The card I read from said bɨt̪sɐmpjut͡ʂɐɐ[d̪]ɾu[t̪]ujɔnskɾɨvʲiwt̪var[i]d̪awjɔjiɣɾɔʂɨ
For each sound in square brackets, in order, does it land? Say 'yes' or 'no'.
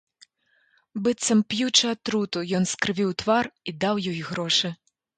no, yes, yes

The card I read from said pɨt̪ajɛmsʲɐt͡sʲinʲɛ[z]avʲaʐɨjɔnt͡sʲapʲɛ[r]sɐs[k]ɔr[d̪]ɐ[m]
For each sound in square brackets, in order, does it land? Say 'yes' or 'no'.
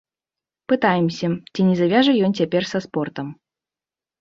yes, yes, no, no, yes

